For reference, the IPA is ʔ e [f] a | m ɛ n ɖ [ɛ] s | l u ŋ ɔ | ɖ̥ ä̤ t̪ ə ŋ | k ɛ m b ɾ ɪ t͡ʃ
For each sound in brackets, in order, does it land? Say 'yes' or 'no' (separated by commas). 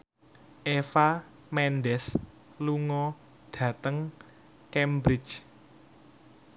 yes, yes